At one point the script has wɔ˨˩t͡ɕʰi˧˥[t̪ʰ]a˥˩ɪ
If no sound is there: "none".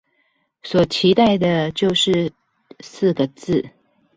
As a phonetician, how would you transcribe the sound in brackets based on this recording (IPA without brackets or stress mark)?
t̪